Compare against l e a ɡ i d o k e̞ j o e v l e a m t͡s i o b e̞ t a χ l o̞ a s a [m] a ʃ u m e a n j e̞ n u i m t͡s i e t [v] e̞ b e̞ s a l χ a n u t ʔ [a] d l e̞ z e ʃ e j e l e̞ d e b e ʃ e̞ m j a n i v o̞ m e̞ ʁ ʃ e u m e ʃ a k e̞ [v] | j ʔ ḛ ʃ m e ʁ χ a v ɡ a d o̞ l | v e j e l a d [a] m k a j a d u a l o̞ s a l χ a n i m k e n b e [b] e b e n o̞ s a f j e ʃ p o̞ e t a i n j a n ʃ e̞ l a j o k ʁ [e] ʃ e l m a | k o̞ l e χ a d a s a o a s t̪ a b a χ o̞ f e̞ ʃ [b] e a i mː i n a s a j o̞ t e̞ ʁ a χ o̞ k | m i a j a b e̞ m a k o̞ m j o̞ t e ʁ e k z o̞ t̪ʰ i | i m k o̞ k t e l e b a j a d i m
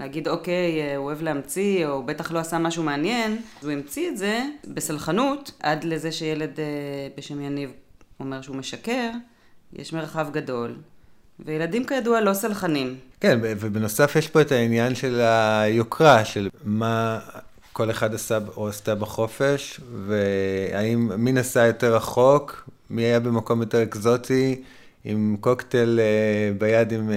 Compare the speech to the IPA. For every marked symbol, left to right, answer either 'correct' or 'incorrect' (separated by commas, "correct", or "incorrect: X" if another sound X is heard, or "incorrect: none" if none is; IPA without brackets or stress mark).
correct, incorrect: z, correct, incorrect: ʁ, incorrect: i, incorrect: v, incorrect: a, incorrect: v